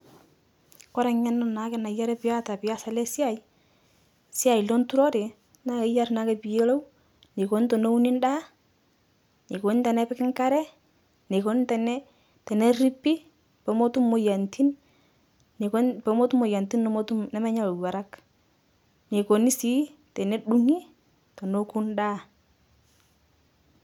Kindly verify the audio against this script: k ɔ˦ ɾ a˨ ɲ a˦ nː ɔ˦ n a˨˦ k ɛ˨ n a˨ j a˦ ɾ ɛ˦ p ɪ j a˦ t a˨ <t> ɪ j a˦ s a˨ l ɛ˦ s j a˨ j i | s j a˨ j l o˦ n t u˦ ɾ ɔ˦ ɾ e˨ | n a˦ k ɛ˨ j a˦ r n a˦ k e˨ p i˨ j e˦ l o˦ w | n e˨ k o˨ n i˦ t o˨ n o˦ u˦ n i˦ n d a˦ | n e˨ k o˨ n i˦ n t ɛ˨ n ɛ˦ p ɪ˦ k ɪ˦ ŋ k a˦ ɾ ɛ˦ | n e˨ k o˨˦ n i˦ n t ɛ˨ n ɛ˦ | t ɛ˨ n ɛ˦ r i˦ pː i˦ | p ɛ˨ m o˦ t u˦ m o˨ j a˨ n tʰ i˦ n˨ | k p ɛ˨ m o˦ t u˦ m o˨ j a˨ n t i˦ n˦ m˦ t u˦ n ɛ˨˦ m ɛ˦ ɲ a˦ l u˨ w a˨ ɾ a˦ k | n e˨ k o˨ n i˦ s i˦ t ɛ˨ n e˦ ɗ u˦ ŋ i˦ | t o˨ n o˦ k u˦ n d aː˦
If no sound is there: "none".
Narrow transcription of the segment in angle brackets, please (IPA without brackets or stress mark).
p